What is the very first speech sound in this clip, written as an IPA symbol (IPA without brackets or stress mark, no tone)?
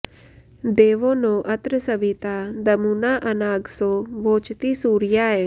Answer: d̪